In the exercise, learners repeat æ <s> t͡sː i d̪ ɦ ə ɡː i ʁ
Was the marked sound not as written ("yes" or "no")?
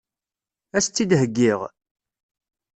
no